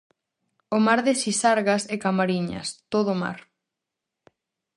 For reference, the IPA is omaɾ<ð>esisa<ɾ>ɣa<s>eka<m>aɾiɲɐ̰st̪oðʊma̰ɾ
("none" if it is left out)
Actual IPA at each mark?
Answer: ð, ɾ, s, m

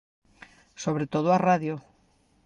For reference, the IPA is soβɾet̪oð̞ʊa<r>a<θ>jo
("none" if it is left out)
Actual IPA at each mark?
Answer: r, ð

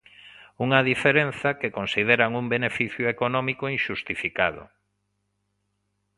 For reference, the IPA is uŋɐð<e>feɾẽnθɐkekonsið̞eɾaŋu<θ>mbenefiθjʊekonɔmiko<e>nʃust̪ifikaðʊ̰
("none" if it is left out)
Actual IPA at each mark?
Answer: i, none, i

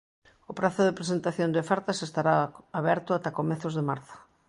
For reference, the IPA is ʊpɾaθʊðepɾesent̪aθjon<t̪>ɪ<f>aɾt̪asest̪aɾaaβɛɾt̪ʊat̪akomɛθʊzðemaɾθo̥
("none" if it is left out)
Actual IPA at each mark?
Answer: d̪, f

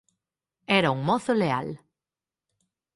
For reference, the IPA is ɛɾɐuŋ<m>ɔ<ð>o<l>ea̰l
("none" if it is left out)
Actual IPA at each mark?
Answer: m, θ, l

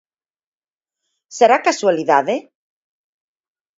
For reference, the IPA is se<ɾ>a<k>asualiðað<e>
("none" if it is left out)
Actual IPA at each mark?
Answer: ɾ, k, e

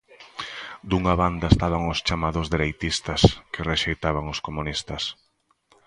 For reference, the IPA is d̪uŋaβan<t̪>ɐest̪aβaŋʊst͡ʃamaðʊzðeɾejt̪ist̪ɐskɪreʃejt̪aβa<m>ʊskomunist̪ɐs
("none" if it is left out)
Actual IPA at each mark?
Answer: d̪, ŋ

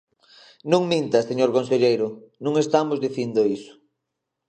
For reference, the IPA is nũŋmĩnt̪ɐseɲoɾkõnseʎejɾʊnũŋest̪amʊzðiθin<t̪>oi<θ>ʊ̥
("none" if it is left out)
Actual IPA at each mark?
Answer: d̪, s

